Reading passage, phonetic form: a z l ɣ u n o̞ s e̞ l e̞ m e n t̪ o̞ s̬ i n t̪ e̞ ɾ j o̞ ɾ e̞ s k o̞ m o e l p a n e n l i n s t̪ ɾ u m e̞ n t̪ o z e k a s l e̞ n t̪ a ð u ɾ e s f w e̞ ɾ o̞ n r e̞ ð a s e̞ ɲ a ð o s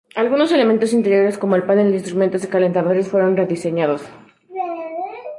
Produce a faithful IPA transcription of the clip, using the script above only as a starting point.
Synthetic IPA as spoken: a l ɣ u n o̞ s e̞ l e̞ m e n t̪ o̞ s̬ i n t̪ e̞ ɾ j o̞ ɾ e̞ s k o̞ m o e l p a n e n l i n s t̪ ɾ u m e̞ n t̪ o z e k a l e̞ n t̪ a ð o ɾ e s f w e̞ ɾ o̞ n r e̞ ð i s e̞ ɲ a ð o s

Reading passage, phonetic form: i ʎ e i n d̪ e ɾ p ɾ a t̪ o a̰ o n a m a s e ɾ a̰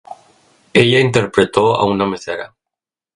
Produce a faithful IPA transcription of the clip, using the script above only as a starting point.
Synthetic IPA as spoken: e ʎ a i n t̪ e ɾ p ɾ e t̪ o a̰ u n a m e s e ɾ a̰

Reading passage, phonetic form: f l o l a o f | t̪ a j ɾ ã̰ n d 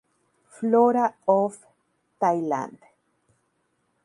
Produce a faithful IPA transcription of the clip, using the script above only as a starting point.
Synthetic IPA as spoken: f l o ɾ a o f | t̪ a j l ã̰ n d

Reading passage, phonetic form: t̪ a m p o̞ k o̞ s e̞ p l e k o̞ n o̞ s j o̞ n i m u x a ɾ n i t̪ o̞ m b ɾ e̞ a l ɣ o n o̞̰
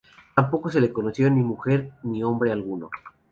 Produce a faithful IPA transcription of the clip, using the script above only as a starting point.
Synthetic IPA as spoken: t̪ a m p o̞ k o̞ s e̞ l e k o̞ n o̞ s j o̞ n i m u x e ɾ n i o̞ m b ɾ e̞ a l ɣ u n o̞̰

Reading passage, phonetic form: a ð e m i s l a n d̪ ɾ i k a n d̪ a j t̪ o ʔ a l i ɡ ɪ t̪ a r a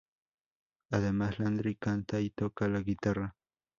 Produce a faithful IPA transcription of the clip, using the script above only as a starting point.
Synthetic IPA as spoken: a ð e m a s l a n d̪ ɾ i k a n t̪ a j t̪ o k a l a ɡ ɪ t̪ a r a

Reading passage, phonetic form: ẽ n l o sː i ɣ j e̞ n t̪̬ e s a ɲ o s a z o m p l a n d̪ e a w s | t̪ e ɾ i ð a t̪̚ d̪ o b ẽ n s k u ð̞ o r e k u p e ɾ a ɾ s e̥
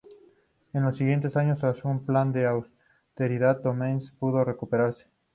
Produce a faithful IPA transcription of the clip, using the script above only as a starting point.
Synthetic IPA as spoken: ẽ n l o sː i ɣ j e̞ n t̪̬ e s a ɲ o s a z u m p l a n d̪ e a w s | t̪ e ɾ i ð a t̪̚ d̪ o m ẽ n s p u ð̞ o r e k u p e ɾ a ɾ s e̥

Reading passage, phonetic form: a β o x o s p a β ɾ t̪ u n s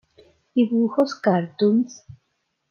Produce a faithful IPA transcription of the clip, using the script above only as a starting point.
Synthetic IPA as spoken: i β u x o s k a ɾ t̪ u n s

